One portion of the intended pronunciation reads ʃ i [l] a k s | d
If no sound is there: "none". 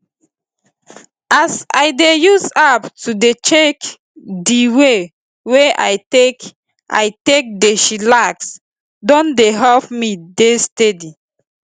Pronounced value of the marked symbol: l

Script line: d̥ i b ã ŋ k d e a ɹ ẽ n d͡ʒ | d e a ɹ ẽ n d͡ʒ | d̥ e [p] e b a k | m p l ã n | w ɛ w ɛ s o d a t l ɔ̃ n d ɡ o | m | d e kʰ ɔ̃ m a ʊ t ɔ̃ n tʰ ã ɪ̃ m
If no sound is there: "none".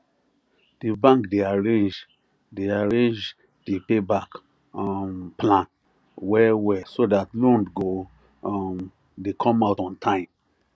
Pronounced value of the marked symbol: p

